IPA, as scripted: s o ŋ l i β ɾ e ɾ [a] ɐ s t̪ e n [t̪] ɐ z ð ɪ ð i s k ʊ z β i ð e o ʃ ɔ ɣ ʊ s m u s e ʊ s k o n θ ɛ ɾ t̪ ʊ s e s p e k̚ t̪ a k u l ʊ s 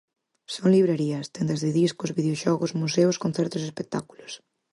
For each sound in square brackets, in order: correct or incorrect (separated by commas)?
incorrect, incorrect